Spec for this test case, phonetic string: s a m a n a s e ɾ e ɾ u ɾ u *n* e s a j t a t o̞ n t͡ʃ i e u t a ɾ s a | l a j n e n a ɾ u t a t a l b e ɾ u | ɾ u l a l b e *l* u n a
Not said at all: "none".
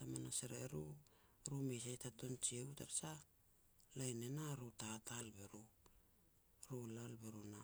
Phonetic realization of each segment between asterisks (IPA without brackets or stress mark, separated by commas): m, ɾ